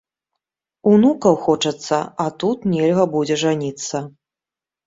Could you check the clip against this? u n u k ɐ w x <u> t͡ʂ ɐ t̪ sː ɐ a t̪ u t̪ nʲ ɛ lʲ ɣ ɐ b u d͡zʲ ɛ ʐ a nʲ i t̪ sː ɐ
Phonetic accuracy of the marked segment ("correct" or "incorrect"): incorrect